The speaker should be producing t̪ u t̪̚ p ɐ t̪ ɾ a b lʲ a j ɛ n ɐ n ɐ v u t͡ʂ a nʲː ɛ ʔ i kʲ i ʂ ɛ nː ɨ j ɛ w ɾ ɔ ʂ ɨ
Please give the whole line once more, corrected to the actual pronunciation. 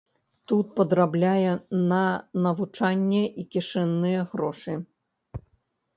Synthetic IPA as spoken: t̪ u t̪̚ p ɐ d̪ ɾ a b lʲ a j ɛ n ɐ n ɐ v u t͡ʂ a nʲː ɛ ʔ i kʲ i ʂ ɛ nː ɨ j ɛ ɣ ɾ ɔ ʂ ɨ